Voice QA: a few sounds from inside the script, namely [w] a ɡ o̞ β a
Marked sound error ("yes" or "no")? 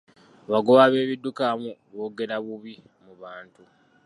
yes